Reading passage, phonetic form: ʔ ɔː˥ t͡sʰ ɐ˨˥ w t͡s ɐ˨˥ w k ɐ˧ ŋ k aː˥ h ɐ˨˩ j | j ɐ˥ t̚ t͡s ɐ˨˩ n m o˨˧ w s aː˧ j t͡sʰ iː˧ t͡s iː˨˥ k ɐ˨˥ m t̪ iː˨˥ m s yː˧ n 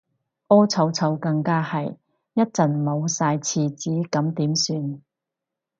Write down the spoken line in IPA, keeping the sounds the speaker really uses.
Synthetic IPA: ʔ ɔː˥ t͡sʰ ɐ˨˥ w t͡sʰ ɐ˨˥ w k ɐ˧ ŋ k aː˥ h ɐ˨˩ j | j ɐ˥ t̚ t͡s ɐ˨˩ n m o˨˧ w s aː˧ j t͡sʰ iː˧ t͡s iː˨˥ k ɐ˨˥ m t̪ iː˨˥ m s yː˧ n